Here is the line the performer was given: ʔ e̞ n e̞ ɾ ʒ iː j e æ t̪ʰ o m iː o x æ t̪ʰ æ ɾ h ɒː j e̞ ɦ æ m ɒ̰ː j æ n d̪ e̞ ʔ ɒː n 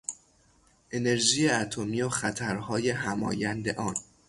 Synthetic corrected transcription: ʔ e̞ n e̞ ɾ ʒ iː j e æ t̪ʰ o m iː o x æ t̪ʰ æ ɾ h ɒː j e̞ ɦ æ m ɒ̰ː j æ n d̪ e̞ ʔ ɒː n